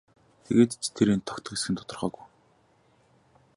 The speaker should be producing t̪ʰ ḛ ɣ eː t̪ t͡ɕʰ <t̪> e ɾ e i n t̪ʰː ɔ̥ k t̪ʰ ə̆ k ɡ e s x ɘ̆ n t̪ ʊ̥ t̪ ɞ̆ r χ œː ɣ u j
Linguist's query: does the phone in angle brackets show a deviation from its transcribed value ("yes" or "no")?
yes